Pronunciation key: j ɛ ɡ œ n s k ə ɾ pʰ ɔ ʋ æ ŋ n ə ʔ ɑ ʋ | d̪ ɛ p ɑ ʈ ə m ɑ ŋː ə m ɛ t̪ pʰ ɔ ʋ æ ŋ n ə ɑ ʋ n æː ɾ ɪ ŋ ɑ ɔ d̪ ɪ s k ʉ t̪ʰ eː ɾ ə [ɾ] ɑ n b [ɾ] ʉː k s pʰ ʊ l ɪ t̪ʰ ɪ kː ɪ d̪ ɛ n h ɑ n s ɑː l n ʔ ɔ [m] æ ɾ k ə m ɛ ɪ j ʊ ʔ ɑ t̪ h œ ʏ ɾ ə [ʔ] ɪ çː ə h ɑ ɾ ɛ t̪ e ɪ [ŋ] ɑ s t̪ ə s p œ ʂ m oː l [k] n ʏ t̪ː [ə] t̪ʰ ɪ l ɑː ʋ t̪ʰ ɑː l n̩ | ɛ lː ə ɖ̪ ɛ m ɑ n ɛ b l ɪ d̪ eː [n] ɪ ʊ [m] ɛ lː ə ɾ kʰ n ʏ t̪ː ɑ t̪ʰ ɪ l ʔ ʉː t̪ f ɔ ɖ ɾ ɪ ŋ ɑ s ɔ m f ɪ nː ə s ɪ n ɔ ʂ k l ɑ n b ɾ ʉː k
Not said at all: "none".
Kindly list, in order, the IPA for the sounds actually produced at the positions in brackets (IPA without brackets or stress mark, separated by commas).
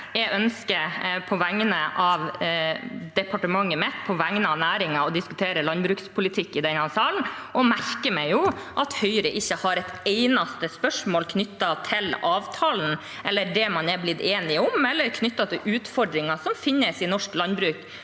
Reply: l, ɾ, m, ʔ, n, kʰ, ɑ, n, m